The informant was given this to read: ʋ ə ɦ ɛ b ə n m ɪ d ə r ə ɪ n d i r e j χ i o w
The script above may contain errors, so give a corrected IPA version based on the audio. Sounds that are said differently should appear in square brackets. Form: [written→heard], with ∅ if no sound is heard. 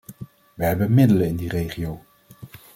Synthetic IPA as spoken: ʋ ə ɦ ɛ b ə n m ɪ d ə [r→l] ə ɪ n d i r e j χ i o w